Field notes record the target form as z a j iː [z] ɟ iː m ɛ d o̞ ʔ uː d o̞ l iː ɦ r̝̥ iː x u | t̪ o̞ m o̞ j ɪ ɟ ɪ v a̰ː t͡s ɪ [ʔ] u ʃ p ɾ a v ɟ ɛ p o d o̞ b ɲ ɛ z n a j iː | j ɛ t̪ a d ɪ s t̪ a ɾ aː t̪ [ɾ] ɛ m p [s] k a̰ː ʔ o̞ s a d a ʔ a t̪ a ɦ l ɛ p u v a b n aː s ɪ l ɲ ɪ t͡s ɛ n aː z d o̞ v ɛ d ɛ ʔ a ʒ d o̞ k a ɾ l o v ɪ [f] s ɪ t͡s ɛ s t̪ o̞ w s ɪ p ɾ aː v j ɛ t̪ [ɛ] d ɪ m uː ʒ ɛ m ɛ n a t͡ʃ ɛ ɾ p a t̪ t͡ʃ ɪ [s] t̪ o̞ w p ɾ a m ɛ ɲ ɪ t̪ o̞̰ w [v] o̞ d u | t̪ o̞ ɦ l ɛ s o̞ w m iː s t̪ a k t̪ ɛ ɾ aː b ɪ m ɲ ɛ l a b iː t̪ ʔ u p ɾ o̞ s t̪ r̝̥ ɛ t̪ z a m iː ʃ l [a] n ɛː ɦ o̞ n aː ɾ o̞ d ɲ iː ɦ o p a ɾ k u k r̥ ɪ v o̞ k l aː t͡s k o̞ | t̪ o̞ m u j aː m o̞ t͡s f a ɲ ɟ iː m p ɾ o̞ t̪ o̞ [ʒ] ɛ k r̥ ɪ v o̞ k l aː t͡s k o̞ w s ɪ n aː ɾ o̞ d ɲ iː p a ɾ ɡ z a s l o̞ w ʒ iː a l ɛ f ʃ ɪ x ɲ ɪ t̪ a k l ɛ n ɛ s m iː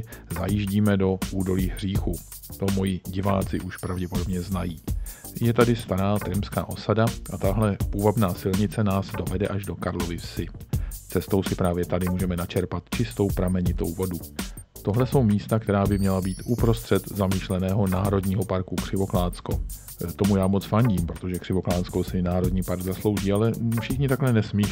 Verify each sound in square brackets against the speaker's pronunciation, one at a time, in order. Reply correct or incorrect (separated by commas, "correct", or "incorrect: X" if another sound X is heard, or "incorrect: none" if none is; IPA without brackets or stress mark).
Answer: incorrect: ʒ, correct, correct, correct, correct, incorrect: a, correct, correct, incorrect: ɛ, correct